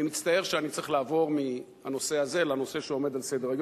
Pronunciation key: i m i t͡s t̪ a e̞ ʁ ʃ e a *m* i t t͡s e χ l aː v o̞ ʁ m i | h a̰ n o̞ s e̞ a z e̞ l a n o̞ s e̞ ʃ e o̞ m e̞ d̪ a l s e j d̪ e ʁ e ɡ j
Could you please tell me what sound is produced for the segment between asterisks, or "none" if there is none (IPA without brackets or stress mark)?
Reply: n